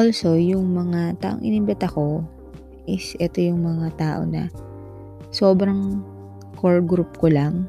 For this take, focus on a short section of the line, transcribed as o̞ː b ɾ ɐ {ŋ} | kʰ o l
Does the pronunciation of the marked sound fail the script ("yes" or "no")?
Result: no